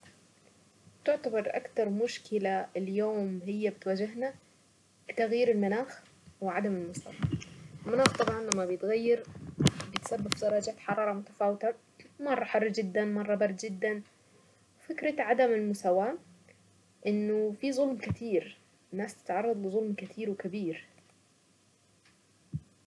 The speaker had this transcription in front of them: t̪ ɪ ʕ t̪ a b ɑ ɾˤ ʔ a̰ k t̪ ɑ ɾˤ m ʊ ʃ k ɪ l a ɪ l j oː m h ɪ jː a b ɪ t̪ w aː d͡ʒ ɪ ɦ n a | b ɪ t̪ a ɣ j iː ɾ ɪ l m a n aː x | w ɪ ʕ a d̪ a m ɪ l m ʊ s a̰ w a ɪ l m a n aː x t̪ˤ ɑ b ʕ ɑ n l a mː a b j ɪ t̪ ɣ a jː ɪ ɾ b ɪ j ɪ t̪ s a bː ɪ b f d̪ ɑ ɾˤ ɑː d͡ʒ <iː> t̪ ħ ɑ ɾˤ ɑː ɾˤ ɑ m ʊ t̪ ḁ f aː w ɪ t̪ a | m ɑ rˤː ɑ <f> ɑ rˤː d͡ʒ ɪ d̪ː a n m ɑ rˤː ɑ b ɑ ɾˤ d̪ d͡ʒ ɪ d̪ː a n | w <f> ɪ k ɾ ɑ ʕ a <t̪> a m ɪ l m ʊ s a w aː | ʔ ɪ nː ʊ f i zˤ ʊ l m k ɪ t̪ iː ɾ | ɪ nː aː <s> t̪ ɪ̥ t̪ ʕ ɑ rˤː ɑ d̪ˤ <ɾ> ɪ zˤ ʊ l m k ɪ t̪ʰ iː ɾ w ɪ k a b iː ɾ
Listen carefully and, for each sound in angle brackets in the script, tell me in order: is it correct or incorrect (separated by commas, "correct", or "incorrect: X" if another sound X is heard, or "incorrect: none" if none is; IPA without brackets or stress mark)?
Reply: incorrect: aː, incorrect: ħ, correct, incorrect: d̪, correct, incorrect: l